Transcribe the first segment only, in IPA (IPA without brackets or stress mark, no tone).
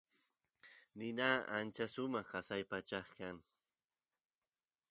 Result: n